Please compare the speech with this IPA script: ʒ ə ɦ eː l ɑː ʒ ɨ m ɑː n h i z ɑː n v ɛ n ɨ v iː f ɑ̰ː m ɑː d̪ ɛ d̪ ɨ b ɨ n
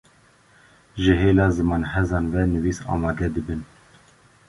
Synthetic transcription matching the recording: ʒ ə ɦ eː l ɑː z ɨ m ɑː n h ɛ z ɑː n v ɛ n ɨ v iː s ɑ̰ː m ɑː d̪ ɛ d̪ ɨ b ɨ n